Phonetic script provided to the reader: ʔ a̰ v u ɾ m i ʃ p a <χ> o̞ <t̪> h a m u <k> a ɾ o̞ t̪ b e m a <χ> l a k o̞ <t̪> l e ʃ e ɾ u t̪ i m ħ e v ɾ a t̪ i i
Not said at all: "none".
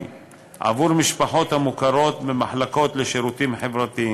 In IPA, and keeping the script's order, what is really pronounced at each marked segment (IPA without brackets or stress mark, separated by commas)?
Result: ħ, t̪, k, ħ, t̪